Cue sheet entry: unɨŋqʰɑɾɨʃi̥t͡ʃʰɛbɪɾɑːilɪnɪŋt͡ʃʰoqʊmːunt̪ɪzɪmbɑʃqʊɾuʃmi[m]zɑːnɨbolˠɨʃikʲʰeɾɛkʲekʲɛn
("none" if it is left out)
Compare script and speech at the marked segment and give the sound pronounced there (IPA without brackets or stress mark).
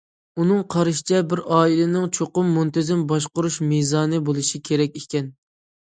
none